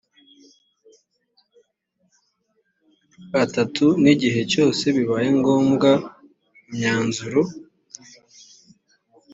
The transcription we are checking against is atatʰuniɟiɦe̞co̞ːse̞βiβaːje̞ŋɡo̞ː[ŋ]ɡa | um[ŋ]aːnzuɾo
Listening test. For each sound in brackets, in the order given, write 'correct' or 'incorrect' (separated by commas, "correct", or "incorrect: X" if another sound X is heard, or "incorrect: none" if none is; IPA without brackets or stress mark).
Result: incorrect: m, incorrect: ɲ